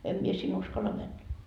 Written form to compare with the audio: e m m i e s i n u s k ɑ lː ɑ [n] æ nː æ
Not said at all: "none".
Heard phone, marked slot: m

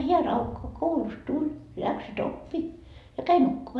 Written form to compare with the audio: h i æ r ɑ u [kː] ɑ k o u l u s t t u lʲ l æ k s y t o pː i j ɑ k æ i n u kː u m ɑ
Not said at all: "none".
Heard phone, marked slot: kː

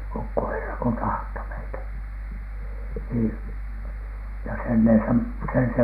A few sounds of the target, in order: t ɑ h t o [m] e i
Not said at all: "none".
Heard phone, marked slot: m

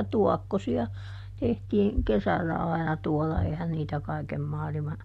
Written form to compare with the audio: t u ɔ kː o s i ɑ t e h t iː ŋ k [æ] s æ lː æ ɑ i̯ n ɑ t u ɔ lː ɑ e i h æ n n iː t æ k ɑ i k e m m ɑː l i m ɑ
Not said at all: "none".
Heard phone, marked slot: e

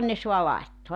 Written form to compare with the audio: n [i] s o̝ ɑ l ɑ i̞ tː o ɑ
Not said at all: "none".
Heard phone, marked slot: e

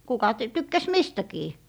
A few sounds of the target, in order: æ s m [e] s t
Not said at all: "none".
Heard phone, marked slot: i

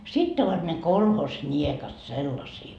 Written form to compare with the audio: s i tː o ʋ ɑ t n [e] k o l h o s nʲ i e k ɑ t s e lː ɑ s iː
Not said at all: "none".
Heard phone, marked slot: e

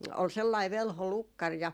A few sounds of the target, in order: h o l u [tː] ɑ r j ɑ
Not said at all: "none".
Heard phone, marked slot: kː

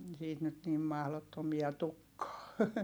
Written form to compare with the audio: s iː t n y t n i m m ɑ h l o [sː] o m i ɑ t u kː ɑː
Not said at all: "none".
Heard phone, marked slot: tː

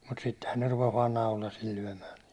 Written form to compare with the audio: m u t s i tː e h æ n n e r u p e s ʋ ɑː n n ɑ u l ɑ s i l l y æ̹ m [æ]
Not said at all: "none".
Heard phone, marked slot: æː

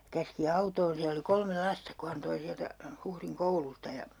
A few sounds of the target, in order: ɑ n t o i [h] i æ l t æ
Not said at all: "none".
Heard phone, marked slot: s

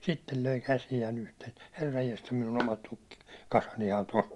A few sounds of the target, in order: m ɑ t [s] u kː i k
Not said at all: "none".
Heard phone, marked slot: t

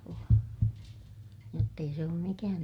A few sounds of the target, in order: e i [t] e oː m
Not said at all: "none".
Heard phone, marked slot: s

